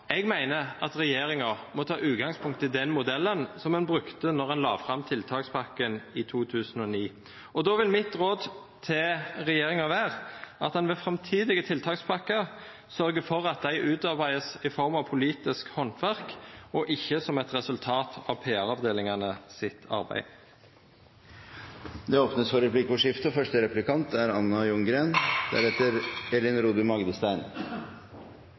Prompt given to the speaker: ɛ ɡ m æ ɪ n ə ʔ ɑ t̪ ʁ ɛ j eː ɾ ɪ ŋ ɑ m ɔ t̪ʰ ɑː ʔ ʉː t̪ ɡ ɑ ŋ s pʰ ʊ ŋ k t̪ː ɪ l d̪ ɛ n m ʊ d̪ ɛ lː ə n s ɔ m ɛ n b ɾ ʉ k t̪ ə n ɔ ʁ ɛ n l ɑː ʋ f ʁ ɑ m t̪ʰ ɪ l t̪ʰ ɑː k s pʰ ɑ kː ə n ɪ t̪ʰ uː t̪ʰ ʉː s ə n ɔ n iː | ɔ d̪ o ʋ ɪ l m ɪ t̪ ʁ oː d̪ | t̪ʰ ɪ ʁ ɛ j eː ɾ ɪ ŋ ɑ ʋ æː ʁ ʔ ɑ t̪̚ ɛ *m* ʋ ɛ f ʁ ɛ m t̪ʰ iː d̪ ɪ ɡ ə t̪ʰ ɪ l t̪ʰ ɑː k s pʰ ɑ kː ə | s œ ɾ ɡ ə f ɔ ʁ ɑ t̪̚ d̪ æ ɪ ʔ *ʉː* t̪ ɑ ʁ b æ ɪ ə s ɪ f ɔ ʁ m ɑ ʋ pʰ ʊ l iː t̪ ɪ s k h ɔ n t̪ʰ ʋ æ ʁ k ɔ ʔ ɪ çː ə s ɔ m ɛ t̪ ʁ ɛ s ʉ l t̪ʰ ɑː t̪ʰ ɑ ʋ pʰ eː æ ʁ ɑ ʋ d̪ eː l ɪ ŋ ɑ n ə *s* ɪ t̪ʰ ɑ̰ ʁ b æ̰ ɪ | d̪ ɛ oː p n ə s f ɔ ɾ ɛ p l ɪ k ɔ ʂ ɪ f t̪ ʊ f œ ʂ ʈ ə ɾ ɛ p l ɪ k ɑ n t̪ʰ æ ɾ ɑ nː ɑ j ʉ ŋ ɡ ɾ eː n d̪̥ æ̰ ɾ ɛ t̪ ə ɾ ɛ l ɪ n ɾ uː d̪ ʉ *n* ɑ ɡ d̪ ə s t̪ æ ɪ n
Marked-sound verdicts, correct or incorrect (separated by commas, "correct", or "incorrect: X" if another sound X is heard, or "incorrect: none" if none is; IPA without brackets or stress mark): incorrect: n, correct, correct, incorrect: m